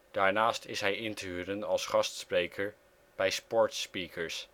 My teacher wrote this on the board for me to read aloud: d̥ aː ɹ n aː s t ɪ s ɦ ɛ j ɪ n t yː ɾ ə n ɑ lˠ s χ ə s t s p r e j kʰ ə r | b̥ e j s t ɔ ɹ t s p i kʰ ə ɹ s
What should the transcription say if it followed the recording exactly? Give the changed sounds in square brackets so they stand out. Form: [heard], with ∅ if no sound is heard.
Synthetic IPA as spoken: d̥ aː ɹ n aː s t ɪ s ɦ ɛ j ɪ n t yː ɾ ə n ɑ lˠ s χ [ɑ] s t s p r e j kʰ ə [ɹ] | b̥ [ɛ] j s [p] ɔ ɹ t s p i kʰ ə ɹ s